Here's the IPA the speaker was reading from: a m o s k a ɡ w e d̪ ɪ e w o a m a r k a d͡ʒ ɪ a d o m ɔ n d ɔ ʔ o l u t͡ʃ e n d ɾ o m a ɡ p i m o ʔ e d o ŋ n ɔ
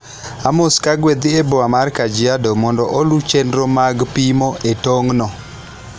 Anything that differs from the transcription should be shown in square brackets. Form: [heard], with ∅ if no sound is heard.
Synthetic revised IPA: a m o s k a ɡ w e d̪ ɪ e [b] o a m a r k a d͡ʒ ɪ a d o m ɔ n d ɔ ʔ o l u t͡ʃ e n d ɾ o m a ɡ p i m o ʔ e [t] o ŋ n ɔ